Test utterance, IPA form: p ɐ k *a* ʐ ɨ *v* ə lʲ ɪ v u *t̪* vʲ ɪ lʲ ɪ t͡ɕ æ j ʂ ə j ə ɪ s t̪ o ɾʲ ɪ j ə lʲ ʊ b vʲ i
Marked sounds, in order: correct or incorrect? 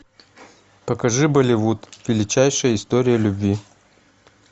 incorrect: ɐ, incorrect: b, correct

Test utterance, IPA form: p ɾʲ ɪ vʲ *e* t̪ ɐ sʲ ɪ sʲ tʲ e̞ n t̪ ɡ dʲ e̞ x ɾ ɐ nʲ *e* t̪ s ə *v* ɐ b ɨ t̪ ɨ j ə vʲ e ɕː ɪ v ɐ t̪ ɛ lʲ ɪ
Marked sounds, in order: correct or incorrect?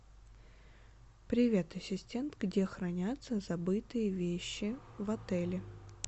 correct, incorrect: a, incorrect: z

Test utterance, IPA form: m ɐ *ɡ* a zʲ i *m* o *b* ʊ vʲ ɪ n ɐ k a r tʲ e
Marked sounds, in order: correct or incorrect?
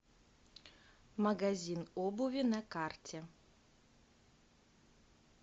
correct, incorrect: n, correct

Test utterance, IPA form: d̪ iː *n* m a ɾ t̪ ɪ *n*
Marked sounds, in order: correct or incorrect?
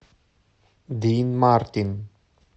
correct, correct

